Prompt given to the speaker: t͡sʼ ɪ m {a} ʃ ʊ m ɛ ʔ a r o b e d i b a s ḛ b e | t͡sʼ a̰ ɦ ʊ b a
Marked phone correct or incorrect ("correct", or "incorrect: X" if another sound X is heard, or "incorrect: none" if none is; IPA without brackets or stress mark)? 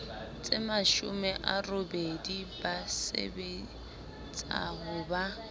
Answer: correct